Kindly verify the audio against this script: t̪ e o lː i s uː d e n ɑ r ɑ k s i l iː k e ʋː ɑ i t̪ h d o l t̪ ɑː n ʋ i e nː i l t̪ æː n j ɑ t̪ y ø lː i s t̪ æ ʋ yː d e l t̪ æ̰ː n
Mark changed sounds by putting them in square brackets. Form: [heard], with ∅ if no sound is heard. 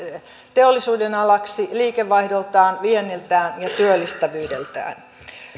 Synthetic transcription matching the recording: t̪ e o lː i s uː d e n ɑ [l] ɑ k s i l iː k e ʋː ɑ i [∅] h d o l t̪ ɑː n ʋ i e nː i l t̪ æː n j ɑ t̪ y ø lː i s t̪ æ ʋ yː d e l t̪ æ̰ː n